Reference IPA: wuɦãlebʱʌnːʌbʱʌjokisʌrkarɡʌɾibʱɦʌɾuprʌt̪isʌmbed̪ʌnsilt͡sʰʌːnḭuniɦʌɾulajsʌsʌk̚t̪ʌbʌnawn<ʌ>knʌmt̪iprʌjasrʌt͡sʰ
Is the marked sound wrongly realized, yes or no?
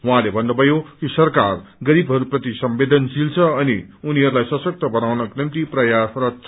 no